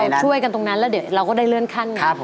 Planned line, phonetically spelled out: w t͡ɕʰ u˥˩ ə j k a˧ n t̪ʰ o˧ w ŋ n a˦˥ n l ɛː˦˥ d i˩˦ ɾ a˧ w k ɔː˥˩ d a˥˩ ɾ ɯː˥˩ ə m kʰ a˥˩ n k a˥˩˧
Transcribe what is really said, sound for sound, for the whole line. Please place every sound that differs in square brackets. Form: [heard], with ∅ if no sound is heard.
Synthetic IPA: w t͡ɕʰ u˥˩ ə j k a˧ n [t̪] o˧ [∅] ŋ n a˦˥ n l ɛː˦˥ d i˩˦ ɾ a˧ w k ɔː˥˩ d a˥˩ [l] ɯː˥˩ ə [n] kʰ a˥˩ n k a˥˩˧